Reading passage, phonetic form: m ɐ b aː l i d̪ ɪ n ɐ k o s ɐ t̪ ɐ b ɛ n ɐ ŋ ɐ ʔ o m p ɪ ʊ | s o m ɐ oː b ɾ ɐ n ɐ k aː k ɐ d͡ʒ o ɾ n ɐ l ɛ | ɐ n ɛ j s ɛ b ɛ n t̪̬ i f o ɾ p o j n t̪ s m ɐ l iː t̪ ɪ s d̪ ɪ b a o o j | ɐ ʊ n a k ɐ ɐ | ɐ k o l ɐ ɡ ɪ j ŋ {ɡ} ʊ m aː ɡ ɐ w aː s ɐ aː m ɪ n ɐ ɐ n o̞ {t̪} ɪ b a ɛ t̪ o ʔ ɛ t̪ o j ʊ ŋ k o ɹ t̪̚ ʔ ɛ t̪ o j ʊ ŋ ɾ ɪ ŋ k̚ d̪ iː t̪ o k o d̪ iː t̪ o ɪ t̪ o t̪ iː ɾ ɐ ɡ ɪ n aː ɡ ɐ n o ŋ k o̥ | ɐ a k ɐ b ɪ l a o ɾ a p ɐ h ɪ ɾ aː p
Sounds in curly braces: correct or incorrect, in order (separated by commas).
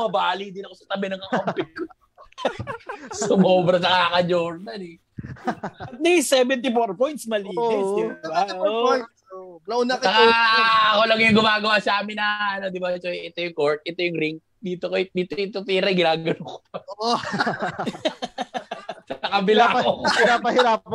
correct, incorrect